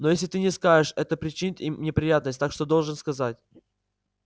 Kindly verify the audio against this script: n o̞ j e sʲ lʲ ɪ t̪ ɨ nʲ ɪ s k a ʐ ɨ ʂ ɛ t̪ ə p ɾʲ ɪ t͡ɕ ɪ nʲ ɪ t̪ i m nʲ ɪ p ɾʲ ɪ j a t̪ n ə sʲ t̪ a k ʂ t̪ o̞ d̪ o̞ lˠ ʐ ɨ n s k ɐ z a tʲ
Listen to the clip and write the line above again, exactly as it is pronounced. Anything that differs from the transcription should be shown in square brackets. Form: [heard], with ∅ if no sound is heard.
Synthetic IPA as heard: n o̞ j e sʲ lʲ ɪ t̪ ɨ nʲ ɪ s k a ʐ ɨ ʂ ɛ t̪ ə p ɾʲ ɪ t͡ɕ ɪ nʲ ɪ t̪ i m nʲ ɪ p ɾʲ ɪ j a t̪ n ə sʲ t̪ a k ʂ t̪ o̞ d̪ o̞ lˠ ʐ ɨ n s k ɐ z a tʲ